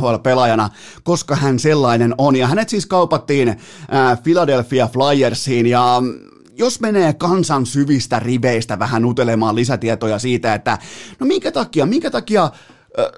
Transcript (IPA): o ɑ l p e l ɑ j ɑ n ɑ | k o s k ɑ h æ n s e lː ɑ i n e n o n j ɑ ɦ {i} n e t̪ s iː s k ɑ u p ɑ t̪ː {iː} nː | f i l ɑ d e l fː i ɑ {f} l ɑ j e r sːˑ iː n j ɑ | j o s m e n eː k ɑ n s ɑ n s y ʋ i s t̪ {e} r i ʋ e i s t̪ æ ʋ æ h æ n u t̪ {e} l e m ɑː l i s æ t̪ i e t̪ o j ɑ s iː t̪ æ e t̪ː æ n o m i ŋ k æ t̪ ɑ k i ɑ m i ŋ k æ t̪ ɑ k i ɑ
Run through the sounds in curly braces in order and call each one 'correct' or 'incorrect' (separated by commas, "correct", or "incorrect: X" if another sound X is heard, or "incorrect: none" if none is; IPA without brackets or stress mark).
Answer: incorrect: æ, correct, correct, incorrect: æ, correct